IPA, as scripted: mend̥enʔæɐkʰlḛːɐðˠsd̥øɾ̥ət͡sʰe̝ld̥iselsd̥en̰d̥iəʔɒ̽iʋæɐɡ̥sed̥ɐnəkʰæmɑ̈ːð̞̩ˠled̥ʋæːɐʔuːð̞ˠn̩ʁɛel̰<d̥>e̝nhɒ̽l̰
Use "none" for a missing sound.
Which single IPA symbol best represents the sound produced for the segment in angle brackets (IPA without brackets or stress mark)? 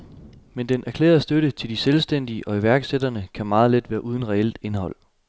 d̥